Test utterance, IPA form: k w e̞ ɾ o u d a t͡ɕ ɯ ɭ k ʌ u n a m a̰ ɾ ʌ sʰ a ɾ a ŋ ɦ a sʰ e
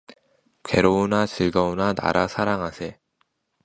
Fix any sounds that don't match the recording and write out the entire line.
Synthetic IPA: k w e̞ ɾ o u n a t͡ɕ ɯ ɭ ɡ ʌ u n a n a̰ ɾ a sʰ a ɾ a ŋ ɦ a sʰ e

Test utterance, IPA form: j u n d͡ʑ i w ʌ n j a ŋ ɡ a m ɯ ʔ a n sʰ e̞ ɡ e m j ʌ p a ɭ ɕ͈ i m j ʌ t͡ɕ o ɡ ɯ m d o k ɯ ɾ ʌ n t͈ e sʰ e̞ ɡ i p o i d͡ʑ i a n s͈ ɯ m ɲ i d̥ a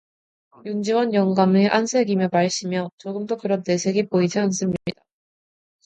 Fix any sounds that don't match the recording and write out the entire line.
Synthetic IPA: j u n d͡ʑ i w ʌ n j ʌ ŋ ɡ a m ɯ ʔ a n sʰ e̞ ɡ i m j ʌ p a ɭ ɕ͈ i m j ʌ t͡ɕ o ɡ ɯ m d o k ɯ ɾ ʌ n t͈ e sʰ e̞ ɡ i p o i d͡ʑ i a n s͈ ɯ m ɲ i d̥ a

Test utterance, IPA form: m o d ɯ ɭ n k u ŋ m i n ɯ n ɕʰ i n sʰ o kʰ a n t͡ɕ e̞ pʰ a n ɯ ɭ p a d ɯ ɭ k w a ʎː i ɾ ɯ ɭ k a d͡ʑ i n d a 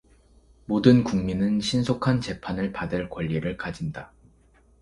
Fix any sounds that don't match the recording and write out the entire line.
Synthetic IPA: m o d ɯ n k u ŋ m i n ɯ n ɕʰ i n sʰ o kʰ a n t͡ɕ e̞ pʰ a n ɯ ɭ p a d ɯ ɭ k w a ʎː i ɾ ɯ ɭ k a d͡ʑ i n d a

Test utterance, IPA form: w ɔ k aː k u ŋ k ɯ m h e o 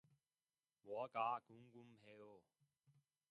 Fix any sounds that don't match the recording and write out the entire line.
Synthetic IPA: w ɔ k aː k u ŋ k u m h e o

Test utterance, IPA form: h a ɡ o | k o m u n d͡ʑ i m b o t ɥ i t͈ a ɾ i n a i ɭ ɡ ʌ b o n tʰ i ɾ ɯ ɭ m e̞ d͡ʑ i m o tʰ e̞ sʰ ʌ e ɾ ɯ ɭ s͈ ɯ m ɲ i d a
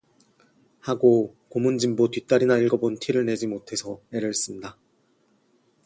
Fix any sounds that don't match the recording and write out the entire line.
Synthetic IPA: h a ɡ o | k o m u n d͡ʑ i m b o t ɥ i t͈ a ɾ i n a i ɭ ɡ ʌ b o n tʰ i ɾ ɯ ɭ n e̞ d͡ʑ i m o tʰ e̞ sʰ ʌ e ɾ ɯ ɭ s͈ ɯ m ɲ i d a

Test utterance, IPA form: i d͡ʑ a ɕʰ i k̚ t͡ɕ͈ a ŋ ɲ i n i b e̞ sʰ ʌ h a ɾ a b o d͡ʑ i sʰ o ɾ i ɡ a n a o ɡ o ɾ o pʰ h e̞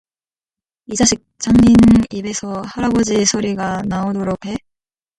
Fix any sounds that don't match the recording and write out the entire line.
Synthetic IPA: i d͡ʑ a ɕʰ i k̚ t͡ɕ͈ a ŋ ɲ i n i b e̞ sʰ ʌ h a ɾ a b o d͡ʑ i sʰ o ɾ i ɡ a n a o d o ɾ o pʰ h e̞

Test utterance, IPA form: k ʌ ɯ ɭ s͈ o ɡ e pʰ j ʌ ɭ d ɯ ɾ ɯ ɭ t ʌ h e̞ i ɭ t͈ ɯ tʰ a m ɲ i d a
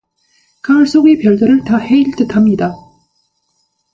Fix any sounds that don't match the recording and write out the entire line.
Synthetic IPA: k a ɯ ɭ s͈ o ɡ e p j ʌ ɭ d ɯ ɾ ɯ ɭ t a h e̞ i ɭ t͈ ɯ tʰ a m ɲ i d a

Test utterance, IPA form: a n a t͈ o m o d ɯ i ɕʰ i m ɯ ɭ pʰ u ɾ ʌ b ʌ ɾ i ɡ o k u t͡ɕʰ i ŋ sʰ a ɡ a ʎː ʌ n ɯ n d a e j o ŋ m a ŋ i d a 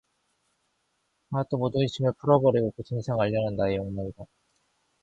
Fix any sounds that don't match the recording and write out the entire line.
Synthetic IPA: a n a t͈ o m o d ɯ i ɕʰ i m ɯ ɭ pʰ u ɾ ʌ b ʌ ɾ i ɡ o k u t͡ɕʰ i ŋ sʰ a ŋ a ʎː ʌ n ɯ n d a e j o ŋ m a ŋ i d a

